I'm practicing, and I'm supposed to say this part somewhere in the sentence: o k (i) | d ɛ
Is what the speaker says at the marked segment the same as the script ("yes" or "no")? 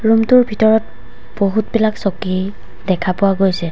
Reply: yes